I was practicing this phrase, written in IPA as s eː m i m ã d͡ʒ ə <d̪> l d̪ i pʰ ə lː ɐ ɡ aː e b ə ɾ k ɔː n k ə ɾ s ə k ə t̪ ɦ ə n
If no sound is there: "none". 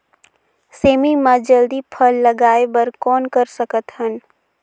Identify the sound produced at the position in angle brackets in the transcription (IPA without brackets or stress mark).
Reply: none